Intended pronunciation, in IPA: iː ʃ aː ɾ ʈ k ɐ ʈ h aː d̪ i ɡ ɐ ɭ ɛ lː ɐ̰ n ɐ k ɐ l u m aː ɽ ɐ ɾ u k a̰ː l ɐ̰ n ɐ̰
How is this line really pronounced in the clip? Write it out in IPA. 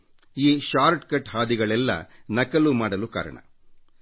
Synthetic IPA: iː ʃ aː ɾ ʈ k ɐ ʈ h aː d̪ i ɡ ɐ ɭ ɛ lː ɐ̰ n ɐ k ɐ l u m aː ɽ ɐ l u k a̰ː ɾ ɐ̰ ɳ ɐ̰